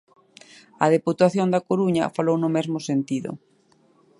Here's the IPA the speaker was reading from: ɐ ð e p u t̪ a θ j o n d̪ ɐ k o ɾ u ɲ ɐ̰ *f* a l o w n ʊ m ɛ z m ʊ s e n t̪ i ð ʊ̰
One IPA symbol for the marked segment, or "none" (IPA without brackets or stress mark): f